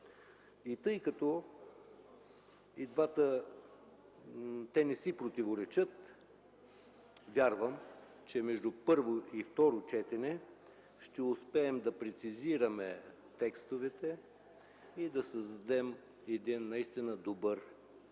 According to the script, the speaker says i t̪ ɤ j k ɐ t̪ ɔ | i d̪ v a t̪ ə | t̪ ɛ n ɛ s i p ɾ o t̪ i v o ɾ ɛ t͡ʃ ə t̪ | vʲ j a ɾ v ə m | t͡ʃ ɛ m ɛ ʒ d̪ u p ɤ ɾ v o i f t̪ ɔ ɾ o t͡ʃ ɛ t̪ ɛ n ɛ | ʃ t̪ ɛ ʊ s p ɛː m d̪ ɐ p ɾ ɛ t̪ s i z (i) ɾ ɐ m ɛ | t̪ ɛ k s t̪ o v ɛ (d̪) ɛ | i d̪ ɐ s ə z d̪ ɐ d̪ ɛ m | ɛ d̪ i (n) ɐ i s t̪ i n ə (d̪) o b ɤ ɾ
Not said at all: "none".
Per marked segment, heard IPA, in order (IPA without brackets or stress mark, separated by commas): i, t̪, nː, d̪